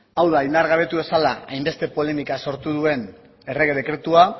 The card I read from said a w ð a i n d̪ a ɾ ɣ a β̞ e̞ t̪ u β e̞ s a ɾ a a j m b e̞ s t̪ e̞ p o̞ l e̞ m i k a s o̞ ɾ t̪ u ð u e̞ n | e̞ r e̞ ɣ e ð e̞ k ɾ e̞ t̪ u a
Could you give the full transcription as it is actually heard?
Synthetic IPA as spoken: a w ð a i n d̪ a ɾ ɣ a β̞ e̞ t̪ u β e̞ s a l a a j m b e̞ s t̪ e̞ p o̞ l e̞ m i k a s o̞ ɾ t̪ u ð u e̞ n | e̞ r e̞ ɣ e ð e̞ k ɾ e̞ t̪ u a